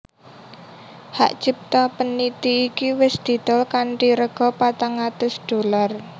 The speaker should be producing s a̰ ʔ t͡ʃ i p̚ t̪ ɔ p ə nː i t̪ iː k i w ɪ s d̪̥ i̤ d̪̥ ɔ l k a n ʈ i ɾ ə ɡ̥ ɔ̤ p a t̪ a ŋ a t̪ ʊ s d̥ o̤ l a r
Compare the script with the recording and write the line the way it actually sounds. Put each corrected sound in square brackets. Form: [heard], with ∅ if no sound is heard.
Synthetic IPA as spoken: [h] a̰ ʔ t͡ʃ i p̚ t̪ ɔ p ə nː i t̪ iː k i w ɪ s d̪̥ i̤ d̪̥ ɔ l k a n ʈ i ɾ ə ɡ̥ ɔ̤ p a t̪ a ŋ a t̪ ʊ s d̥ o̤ l a r